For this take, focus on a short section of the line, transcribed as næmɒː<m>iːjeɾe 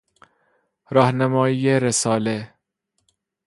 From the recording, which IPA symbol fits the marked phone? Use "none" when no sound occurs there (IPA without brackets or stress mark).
none